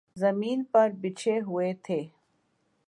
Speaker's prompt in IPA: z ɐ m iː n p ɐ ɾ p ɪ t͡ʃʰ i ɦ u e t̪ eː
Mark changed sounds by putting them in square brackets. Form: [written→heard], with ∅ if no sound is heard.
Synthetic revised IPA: z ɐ m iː n p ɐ ɾ [p→b] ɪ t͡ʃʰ [i→e] ɦ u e [t̪→t̪ʰ] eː